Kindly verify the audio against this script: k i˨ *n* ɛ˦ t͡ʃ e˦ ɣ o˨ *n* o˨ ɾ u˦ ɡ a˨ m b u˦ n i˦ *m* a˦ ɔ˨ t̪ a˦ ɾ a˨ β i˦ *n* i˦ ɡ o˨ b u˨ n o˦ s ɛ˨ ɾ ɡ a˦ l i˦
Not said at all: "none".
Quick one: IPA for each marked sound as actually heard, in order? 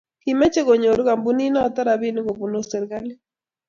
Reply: m, ɲ, n, n

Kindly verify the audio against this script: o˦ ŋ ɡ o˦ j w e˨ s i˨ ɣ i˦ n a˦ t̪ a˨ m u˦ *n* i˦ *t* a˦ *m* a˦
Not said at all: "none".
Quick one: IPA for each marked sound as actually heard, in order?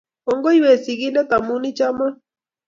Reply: n, t͡ʃ, m

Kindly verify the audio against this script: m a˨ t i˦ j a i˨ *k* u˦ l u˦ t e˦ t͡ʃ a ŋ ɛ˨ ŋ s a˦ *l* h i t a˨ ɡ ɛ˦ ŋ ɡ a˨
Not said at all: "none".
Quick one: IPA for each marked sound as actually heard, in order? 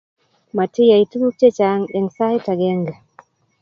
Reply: t, none

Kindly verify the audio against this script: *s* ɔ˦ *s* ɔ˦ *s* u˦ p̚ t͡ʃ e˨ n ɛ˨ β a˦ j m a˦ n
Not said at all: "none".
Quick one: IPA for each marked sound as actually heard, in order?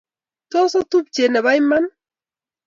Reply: t, s, t

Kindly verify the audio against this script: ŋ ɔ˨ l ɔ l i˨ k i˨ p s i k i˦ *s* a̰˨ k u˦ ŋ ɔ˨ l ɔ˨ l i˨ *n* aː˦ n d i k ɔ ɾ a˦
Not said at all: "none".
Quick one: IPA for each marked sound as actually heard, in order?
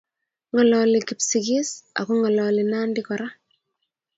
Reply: s, n

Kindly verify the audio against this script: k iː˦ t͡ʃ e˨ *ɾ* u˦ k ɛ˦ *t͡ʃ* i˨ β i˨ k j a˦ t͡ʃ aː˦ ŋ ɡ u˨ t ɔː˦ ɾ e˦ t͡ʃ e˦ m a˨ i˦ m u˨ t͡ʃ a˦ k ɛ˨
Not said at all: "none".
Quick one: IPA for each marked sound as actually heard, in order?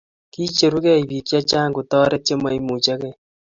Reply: ɾ, none

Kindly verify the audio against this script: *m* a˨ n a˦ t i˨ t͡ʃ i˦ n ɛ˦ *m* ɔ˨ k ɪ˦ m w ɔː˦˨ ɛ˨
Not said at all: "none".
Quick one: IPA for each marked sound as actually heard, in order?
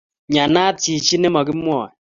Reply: ɲ, m

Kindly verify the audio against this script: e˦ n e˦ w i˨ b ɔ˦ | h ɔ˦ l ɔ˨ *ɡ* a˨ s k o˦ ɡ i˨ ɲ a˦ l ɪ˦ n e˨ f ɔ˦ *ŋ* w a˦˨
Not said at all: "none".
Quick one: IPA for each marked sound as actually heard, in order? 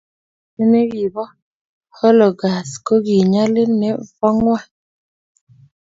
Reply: ɡ, ŋ

